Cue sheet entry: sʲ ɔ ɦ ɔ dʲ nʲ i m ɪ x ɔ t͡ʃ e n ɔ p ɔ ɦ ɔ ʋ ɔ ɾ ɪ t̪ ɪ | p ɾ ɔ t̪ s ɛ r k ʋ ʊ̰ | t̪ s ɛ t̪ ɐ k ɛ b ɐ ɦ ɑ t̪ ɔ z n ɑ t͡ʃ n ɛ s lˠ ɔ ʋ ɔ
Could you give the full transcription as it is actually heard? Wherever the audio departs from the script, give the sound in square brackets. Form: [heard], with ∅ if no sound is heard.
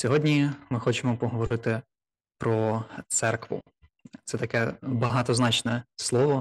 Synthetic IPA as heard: sʲ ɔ ɦ ɔ dʲ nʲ i m ɪ x ɔ t͡ʃ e [m] ɔ p ɔ ɦ ɔ ʋ ɔ ɾ ɪ t̪ ɪ | p ɾ ɔ t̪ s ɛ r k ʋ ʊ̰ | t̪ s ɛ t̪ ɐ k ɛ b ɐ ɦ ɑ t̪ ɔ z n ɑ t͡ʃ n ɛ s lˠ ɔ ʋ ɔ